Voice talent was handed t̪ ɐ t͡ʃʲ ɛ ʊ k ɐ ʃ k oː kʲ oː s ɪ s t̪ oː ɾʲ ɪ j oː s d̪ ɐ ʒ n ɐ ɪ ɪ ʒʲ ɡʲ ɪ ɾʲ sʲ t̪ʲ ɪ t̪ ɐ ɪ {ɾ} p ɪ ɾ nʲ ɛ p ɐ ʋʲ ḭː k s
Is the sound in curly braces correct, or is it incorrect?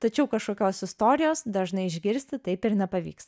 incorrect: none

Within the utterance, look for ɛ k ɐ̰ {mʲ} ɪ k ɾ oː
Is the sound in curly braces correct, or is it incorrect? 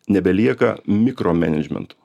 correct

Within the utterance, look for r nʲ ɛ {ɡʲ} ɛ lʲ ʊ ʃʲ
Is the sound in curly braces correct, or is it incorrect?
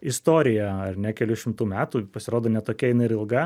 incorrect: kʲ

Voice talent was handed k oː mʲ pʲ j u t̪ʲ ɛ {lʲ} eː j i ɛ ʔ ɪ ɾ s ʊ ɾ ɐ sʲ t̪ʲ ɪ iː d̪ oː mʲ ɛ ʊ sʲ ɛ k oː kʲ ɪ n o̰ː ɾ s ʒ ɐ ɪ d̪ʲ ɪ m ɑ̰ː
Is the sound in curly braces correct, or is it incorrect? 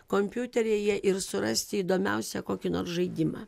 incorrect: ɾʲ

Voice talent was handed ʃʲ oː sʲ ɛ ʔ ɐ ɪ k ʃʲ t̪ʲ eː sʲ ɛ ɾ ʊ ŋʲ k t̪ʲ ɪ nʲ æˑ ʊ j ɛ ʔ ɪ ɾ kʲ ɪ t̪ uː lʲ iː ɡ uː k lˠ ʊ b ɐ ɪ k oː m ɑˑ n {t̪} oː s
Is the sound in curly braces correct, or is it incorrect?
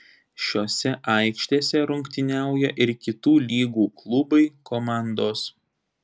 incorrect: d̪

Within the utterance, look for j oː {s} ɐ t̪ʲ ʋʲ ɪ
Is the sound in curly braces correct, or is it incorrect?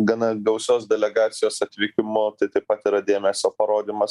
correct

